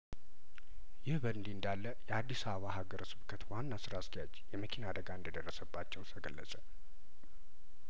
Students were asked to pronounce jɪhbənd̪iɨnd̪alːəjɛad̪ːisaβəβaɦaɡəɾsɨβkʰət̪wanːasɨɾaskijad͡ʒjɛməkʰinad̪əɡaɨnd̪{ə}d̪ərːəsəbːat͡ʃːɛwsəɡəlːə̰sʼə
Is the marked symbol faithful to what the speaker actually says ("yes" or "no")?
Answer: yes